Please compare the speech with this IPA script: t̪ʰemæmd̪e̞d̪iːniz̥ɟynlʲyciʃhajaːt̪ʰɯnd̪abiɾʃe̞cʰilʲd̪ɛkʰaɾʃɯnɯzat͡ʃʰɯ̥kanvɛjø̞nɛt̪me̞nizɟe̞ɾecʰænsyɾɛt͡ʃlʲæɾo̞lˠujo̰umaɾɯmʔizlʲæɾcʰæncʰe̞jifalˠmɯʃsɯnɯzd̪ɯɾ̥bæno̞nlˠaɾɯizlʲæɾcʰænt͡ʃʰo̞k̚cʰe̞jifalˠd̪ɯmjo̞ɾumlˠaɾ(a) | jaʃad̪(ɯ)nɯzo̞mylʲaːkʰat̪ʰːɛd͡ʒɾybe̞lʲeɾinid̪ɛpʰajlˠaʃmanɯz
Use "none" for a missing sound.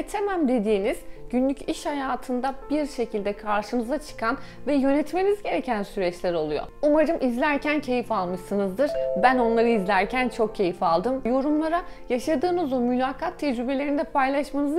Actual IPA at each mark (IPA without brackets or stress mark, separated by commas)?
a, ɯː